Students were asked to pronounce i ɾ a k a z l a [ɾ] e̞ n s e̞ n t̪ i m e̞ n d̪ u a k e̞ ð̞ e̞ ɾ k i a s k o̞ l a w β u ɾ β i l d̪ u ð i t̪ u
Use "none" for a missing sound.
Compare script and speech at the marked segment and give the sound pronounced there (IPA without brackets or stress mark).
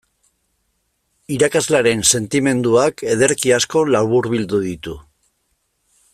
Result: ɾ